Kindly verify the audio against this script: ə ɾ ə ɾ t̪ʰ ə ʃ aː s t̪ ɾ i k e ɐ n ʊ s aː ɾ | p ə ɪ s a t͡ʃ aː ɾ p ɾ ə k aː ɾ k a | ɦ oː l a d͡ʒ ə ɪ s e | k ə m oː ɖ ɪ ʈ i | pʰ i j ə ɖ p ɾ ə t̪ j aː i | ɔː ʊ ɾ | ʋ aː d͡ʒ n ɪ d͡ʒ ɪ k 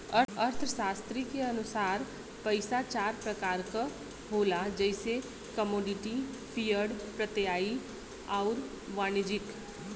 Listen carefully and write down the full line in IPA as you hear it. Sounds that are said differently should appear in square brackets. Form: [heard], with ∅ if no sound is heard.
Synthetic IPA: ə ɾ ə ɾ t̪ʰ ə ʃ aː s t̪ ɾ i k e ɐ n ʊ s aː ɾ | p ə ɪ s a t͡ʃ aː ɾ p ɾ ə k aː ɾ k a | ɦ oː l a d͡ʒ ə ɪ s e | k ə m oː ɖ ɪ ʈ i | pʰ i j ə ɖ p ɾ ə t̪ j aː i | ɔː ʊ ɾ | ʋ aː [∅] n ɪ d͡ʒ ɪ k